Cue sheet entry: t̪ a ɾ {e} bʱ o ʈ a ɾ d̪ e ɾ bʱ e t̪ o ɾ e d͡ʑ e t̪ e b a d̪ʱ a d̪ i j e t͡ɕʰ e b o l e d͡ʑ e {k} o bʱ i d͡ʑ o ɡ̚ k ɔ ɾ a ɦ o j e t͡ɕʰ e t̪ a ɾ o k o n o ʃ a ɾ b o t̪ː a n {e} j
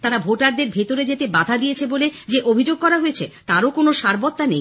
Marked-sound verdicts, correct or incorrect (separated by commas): incorrect, incorrect, correct